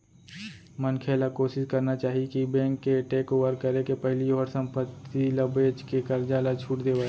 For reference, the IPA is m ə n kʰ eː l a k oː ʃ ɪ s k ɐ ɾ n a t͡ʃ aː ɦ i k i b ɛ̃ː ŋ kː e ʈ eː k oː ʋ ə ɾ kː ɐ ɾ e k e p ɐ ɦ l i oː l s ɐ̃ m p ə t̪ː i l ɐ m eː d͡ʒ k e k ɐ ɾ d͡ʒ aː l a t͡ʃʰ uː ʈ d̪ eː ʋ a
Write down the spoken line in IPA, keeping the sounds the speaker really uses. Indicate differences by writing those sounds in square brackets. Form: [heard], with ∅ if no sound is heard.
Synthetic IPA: m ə n kʰ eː l a k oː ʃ ɪ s k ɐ ɾ n a t͡ʃ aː ɦ i k i b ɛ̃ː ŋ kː e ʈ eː k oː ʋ ə ɾ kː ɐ ɾ e k e p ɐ ɦ l i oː [ɾ] s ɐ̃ m p ə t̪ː i l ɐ [b] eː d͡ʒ k e k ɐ ɾ d͡ʒ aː l a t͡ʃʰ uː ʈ d̪ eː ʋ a

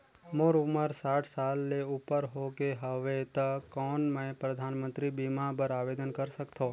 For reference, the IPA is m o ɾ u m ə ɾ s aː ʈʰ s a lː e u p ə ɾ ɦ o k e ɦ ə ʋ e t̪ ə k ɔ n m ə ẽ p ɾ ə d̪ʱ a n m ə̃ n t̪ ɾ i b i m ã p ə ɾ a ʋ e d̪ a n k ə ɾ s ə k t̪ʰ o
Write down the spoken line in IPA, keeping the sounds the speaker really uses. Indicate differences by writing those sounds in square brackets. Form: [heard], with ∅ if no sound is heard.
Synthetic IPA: m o ɾ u m ə ɾ s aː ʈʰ s a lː e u p ə ɾ ɦ o k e ɦ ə ʋ e t̪ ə k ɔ n m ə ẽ p ɾ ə d̪ʱ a n m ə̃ n t̪ ɾ i b i m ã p ə ɾ a ʋ e d̪ [ə] n k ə ɾ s ə k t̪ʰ o

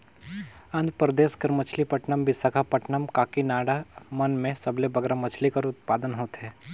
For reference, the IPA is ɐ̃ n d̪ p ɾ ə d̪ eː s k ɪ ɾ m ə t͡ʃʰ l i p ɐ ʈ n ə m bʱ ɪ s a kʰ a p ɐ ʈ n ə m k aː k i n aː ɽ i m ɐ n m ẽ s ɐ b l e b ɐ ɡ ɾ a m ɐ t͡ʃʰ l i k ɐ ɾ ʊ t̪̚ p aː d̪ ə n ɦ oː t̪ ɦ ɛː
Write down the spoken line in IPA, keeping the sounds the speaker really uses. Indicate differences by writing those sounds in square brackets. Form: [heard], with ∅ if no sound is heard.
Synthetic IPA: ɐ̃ n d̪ p ɾ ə d̪ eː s k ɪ ɾ m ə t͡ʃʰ l i p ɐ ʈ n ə m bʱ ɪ s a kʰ a p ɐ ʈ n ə m k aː k i n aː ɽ [a] m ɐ n m ẽ s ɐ b l e b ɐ ɡ ɾ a m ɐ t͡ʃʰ l i k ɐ ɾ ʊ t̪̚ p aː d̪ ə n ɦ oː t̪ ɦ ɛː

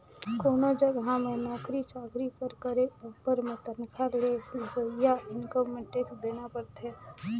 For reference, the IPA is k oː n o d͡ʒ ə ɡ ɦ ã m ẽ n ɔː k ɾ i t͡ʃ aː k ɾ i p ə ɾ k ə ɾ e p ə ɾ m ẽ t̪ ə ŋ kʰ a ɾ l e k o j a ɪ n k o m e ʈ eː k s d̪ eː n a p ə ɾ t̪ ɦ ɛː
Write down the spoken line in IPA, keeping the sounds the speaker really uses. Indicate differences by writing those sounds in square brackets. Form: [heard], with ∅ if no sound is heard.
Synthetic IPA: k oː n o d͡ʒ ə ɡ ɦ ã m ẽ n ɔː k ɾ i t͡ʃ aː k ɾ i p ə ɾ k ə ɾ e p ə ɾ m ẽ t̪ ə [n] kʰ a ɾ l e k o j a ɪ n k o m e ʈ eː k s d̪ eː n a p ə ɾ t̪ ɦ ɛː

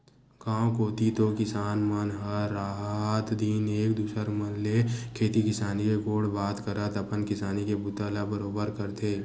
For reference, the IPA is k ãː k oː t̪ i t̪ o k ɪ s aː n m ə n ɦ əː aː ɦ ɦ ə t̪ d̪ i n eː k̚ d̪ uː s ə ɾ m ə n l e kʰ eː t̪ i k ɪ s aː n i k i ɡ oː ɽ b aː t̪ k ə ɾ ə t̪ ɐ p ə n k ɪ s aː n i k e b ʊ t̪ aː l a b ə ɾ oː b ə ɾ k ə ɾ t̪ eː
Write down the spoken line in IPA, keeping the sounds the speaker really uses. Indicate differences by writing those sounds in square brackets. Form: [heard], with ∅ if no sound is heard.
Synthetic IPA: k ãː k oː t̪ i t̪ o k ɪ s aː n m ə n ɦ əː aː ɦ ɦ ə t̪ d̪ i n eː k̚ d̪ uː s ə ɾ m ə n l e kʰ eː t̪ i k ɪ s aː n i k [e] ɡ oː ɽ b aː t̪ k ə ɾ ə t̪ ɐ p ə n k ɪ s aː n i k e b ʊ t̪ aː l a b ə ɾ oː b ə ɾ k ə ɾ t̪ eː

